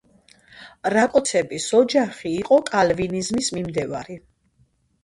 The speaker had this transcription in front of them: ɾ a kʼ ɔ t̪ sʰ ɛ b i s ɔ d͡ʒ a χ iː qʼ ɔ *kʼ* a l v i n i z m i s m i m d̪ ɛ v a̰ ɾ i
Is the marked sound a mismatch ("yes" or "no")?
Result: no